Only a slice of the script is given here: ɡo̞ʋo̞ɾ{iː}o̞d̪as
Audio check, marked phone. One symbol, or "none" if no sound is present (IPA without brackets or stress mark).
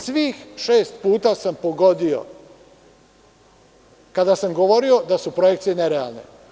i